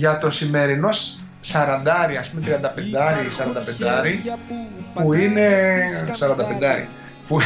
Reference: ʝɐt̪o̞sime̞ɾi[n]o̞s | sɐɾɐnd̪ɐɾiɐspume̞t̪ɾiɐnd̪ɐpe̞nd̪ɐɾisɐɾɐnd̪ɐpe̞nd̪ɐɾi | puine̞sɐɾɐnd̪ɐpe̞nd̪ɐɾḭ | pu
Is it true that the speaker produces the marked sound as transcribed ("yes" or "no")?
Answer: yes